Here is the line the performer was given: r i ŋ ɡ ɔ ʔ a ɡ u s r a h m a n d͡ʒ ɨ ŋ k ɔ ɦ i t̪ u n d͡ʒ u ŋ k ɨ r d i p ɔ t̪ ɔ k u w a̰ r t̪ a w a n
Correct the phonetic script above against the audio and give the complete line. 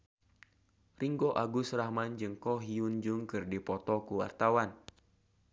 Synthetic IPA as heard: r i ŋ ɡ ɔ ʔ a ɡ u s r a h m a n d͡ʒ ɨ ŋ k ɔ ɦ i u n d͡ʒ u ŋ k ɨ r d i p ɔ t̪ ɔ k u w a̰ r t̪ a w a n